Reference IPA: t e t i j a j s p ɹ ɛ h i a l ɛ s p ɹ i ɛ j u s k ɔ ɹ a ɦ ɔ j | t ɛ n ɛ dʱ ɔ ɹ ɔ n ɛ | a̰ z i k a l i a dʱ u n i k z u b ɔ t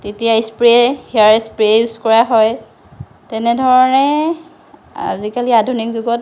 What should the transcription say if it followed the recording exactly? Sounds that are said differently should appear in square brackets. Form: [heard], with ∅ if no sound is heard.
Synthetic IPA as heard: t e t i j a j s p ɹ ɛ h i a [ɹ] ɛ s p ɹ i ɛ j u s k ɔ ɹ a ɦ ɔ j | t ɛ n ɛ dʱ ɔ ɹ ɔ n ɛ | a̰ z i k a l i a dʱ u n i k z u [ɡ] ɔ t